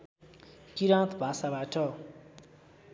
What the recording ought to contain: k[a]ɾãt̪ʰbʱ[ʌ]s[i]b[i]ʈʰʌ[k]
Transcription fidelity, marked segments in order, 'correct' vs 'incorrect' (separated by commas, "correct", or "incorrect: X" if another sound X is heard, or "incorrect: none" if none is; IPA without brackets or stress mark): incorrect: i, incorrect: a, incorrect: a, incorrect: a, incorrect: none